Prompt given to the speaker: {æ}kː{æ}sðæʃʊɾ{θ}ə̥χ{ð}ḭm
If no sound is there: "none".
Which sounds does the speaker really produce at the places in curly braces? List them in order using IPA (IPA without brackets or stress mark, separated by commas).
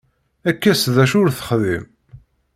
æ, æ, θ, ð